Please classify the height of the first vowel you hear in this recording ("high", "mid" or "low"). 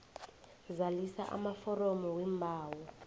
low